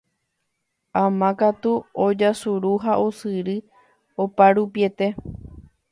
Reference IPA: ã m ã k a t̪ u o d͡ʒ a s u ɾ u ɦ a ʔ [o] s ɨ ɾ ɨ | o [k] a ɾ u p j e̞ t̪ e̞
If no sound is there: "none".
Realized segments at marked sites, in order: o, p

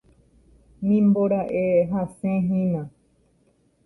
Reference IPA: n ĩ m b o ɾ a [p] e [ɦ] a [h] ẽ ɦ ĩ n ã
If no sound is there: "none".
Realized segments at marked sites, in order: ʔ, ɦ, s

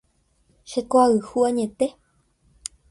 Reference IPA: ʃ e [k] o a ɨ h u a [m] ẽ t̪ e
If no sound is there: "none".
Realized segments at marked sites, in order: k, ɲ

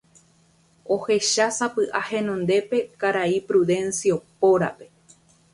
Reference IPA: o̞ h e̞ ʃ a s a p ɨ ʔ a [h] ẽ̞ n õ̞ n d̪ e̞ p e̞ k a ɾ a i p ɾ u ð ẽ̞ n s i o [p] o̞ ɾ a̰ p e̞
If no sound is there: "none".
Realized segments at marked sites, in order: h, p

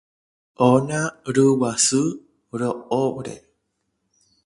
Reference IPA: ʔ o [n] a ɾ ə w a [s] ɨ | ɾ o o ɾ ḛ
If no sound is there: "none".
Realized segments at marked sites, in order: n, s

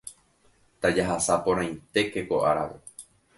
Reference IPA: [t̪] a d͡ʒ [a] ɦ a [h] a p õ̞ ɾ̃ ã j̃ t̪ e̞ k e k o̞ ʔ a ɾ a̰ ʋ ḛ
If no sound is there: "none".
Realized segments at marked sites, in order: t̪, a, s

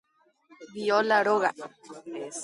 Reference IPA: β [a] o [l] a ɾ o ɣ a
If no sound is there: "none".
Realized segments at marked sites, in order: i, l

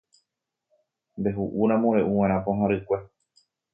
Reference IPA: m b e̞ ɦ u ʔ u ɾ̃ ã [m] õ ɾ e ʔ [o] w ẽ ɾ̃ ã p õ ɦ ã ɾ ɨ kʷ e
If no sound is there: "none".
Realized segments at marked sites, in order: m, u

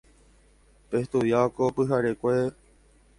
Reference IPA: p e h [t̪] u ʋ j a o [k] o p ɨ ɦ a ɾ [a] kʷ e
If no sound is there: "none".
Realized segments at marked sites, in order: t̪, k, e

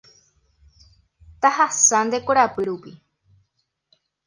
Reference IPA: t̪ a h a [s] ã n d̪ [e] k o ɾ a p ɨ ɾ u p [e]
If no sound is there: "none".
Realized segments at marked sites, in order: s, e, i

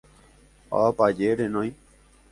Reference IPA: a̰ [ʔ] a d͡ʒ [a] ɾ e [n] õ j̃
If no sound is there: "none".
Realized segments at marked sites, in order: p, e, n

